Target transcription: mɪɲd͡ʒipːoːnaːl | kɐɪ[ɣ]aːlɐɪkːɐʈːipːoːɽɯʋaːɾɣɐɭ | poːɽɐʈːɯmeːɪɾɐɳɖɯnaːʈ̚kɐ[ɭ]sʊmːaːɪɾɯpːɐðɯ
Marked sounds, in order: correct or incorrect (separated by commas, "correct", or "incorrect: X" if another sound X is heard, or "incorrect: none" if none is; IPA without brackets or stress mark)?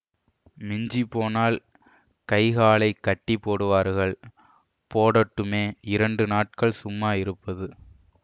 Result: correct, correct